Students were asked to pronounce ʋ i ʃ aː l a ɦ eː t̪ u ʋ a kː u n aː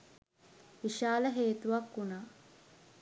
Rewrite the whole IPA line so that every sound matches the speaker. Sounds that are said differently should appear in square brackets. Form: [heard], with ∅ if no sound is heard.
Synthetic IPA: ʋ i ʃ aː l [ə] ɦ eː t̪ u ʋ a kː u n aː